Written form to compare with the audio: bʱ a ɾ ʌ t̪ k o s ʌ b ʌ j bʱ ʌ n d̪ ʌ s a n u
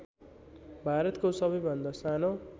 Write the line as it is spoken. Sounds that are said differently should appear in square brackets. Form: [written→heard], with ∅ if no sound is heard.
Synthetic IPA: bʱ a ɾ ʌ t̪ k o s ʌ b ʌ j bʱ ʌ n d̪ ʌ s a n [u→o]